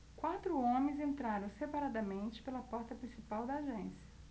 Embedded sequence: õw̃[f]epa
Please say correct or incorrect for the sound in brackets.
incorrect